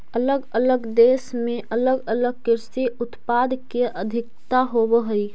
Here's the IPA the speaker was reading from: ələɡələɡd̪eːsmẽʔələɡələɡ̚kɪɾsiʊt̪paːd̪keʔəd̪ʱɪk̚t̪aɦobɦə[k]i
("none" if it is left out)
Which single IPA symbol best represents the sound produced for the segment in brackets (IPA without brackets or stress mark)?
none